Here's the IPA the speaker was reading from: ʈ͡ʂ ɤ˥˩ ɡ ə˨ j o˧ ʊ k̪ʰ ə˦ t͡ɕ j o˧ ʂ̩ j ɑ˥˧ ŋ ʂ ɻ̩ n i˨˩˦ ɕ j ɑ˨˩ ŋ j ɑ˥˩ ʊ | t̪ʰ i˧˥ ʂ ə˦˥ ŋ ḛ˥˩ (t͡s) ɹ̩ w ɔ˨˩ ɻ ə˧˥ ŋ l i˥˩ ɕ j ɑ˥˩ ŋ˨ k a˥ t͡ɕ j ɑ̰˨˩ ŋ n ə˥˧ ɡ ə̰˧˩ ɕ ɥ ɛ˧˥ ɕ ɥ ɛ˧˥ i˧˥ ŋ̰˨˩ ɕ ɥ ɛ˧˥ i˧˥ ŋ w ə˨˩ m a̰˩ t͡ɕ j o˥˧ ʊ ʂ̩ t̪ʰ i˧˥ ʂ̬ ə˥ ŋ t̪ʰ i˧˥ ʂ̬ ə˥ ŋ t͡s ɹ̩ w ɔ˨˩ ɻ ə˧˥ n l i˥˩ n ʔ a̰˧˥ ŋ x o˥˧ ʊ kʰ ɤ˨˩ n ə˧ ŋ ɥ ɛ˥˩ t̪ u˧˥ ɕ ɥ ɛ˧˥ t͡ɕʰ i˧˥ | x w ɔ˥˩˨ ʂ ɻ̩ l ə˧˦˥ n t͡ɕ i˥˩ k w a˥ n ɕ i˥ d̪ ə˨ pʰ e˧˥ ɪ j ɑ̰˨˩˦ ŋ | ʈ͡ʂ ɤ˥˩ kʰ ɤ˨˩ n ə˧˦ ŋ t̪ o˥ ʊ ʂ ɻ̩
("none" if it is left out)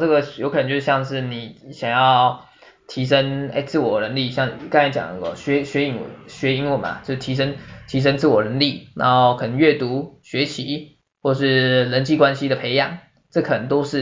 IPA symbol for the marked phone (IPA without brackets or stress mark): t͡s